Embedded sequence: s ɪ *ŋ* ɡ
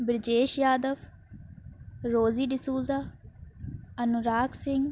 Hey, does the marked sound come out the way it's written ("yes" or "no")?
yes